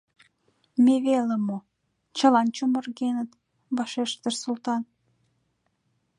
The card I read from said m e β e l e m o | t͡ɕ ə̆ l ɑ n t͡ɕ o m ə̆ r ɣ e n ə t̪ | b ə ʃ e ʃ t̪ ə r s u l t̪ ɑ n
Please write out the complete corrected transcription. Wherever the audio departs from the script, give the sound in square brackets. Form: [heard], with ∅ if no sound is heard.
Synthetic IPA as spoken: m e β e l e m o | t͡ɕ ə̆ l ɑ n t͡ɕ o m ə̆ r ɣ e n ə t̪ | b [ɑ] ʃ e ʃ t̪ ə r s u l t̪ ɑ n